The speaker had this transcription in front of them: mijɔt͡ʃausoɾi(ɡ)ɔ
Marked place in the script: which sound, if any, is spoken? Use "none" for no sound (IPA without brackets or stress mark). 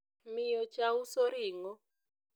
ŋ